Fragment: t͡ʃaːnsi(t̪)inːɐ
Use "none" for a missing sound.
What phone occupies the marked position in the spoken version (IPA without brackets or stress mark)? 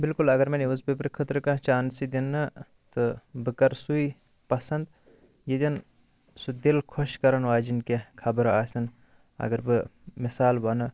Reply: d̪